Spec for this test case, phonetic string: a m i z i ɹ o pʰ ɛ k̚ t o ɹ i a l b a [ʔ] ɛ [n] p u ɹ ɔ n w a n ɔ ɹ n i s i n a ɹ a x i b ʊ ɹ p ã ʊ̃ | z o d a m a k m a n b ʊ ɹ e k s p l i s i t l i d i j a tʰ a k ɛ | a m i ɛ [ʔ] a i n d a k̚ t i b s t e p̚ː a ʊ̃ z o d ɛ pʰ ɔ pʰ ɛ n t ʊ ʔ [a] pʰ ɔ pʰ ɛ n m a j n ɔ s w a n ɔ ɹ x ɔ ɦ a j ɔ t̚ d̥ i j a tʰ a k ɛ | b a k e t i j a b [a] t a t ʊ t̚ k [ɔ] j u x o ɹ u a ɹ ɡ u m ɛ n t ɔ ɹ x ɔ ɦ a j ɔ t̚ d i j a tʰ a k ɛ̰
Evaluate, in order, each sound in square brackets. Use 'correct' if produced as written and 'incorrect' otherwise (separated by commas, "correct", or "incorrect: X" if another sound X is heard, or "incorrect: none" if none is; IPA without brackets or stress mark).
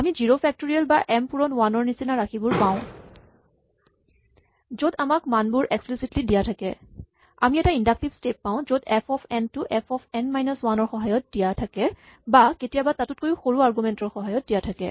correct, incorrect: m, incorrect: t, incorrect: ɛ, correct, incorrect: o